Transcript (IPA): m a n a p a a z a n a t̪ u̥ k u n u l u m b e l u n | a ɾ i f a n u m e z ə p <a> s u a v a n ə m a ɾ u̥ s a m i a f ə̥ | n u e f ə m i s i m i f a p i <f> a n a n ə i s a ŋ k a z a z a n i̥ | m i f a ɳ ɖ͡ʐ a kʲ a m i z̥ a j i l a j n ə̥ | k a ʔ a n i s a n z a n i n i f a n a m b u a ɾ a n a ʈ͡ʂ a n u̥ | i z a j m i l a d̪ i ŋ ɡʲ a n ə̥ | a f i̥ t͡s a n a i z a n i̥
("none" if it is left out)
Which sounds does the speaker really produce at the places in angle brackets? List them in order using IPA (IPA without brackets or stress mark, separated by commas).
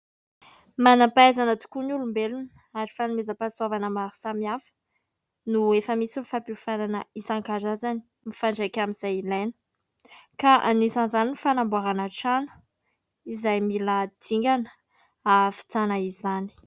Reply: a, f